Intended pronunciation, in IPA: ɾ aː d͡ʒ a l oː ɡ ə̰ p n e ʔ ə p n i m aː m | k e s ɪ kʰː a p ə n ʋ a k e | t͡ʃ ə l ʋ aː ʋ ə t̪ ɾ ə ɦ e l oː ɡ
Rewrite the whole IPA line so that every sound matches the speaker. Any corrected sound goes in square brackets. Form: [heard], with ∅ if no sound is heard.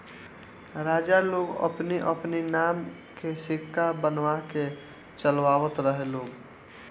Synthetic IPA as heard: ɾ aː d͡ʒ a l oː ɡ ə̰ p n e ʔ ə p n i [n] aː m | k e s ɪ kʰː a [b] ə n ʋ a k e | t͡ʃ ə l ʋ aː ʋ ə t̪ ɾ ə ɦ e l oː ɡ